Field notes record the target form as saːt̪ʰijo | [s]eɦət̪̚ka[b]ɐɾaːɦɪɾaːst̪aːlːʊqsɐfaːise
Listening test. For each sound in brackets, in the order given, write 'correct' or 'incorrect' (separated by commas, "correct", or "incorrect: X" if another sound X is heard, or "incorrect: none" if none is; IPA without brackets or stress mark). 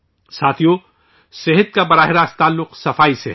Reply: correct, correct